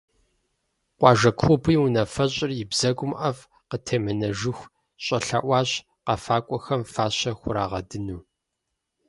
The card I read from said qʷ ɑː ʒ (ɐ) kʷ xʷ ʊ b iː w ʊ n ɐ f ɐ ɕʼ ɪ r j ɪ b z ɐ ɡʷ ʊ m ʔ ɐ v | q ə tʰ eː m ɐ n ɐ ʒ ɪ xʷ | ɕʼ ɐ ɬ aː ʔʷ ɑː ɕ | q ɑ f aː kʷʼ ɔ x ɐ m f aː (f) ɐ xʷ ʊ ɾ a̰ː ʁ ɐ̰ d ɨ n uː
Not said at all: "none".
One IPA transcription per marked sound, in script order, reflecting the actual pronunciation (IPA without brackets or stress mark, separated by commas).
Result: ɐ, ɕ